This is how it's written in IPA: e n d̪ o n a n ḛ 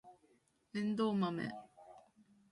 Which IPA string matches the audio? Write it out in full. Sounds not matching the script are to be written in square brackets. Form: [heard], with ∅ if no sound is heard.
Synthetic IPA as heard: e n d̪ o [m] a [m] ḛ